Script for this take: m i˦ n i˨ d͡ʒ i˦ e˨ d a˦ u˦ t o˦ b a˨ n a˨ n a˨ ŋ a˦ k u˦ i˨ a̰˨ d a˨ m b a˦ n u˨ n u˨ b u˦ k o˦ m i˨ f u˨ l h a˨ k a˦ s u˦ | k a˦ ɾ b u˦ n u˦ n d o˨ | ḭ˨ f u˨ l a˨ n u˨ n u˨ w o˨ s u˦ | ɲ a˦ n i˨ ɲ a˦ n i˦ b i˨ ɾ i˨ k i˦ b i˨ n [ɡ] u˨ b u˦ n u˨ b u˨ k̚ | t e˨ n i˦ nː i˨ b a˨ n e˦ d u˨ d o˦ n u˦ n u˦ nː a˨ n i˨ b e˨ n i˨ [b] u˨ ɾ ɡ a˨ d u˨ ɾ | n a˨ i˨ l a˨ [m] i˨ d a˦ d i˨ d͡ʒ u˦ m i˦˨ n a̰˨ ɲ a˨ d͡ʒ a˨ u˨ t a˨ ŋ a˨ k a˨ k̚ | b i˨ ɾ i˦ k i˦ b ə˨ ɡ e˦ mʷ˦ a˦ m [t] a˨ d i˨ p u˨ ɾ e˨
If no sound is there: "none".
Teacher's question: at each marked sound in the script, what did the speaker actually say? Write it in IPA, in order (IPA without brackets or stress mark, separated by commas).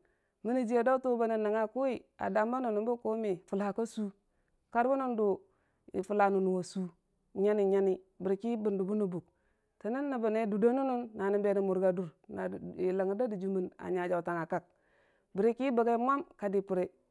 d, m, ŋ, k